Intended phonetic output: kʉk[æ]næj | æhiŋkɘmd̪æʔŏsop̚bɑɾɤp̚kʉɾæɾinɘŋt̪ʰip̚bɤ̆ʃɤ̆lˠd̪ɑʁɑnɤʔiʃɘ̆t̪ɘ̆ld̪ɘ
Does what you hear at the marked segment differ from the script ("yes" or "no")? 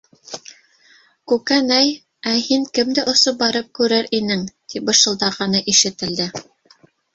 no